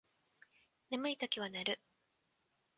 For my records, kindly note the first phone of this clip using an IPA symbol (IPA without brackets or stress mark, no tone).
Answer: n